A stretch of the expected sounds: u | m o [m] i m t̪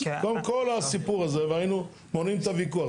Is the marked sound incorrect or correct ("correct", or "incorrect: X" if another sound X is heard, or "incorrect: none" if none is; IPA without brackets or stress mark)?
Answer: incorrect: n